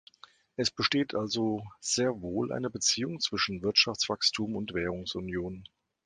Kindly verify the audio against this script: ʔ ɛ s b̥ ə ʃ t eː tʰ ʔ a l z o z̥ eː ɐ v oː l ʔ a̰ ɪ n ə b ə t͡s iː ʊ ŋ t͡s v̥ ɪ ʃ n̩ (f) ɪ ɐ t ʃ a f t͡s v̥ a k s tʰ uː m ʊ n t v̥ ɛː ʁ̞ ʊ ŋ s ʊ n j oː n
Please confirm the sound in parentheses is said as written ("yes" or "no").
no